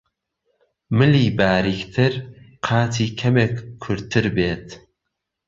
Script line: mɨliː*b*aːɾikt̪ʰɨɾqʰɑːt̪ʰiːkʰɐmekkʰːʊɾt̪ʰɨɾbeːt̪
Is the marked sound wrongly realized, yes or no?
no